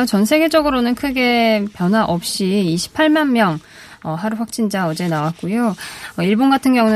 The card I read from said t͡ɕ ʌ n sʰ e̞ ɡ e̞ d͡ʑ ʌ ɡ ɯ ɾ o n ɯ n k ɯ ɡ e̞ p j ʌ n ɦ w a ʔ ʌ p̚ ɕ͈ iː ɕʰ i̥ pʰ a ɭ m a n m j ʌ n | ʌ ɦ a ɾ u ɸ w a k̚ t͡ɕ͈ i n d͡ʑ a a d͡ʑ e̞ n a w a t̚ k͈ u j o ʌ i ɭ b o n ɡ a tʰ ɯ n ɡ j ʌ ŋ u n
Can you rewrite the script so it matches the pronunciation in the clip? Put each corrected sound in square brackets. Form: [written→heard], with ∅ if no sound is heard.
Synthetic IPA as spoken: t͡ɕ ʌ n sʰ e̞ ɡ e̞ d͡ʑ ʌ ɡ ɯ ɾ o n ɯ n [k→kʰ] ɯ ɡ e̞ p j ʌ n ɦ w a ʔ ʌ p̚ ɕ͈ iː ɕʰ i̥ pʰ a ɭ m a n m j ʌ [n→ŋ] | ʌ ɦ a ɾ u ɸ w a k̚ t͡ɕ͈ i n d͡ʑ a [a→ʌ] d͡ʑ e̞ n a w a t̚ k͈ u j o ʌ i ɭ b o n ɡ a tʰ ɯ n ɡ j ʌ ŋ u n